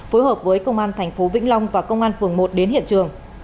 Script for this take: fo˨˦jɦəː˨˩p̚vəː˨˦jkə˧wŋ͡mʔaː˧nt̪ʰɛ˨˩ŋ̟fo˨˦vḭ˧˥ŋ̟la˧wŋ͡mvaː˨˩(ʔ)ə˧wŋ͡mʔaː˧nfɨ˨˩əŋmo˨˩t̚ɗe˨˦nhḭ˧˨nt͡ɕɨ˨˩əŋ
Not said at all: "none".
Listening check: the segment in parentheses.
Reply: k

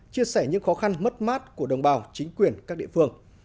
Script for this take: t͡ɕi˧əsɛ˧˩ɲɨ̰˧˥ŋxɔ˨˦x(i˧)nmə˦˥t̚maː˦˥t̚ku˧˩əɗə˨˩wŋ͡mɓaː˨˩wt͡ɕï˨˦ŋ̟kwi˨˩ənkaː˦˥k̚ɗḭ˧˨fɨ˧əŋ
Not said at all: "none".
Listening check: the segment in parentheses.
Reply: a˧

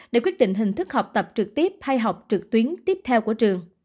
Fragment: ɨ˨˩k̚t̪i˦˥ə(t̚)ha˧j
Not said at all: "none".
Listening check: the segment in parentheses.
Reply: p̚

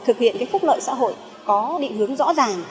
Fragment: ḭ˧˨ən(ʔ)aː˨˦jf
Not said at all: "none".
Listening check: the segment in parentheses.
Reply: k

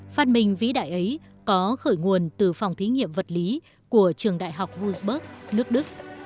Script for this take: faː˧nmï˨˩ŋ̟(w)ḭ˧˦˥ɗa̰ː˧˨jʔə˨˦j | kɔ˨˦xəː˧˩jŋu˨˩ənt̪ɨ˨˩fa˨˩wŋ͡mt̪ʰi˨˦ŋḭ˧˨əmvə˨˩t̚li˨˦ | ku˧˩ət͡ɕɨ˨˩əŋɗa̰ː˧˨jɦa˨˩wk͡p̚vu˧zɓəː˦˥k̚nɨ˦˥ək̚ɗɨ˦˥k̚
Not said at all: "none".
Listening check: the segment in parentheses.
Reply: v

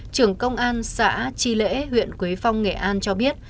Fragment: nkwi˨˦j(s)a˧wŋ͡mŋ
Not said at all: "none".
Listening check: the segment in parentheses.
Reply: f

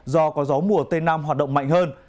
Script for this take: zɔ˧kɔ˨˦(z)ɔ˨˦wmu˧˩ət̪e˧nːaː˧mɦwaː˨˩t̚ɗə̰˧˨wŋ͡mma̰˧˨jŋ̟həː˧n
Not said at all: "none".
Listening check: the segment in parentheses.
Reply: z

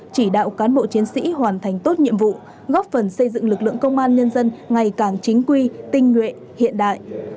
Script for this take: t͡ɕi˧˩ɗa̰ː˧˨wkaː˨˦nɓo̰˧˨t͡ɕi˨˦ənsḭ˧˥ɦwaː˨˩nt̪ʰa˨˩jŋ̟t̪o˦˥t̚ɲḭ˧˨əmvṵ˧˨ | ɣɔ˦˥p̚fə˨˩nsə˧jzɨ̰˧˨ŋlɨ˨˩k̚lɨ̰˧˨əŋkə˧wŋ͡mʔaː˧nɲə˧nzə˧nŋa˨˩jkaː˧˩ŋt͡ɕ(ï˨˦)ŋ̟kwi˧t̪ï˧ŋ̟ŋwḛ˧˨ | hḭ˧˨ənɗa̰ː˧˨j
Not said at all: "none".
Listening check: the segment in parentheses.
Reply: ï˨˦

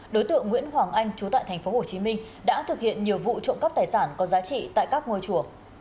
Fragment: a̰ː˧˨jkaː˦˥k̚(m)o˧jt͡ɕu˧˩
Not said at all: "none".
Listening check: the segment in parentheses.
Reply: ŋ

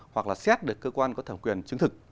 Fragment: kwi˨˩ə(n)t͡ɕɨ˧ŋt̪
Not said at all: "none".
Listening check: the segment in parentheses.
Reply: n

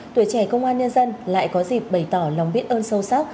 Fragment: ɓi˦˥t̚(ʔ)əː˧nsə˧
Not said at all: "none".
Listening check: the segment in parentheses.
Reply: ʔ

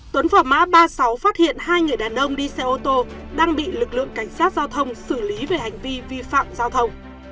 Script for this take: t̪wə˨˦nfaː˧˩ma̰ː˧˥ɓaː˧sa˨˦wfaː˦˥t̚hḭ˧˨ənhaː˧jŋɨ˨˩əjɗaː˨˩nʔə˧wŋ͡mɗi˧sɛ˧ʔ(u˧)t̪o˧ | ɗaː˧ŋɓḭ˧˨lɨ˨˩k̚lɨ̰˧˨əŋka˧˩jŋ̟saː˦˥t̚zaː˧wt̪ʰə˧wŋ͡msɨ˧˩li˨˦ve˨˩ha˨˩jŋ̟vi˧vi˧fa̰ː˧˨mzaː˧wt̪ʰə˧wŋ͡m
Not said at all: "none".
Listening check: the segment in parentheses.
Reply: o˧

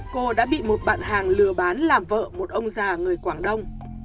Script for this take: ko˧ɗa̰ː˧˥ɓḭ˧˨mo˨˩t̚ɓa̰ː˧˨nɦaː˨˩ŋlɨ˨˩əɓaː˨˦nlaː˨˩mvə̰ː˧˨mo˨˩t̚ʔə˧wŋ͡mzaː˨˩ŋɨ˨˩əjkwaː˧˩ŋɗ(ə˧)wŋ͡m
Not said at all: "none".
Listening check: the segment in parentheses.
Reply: ə˧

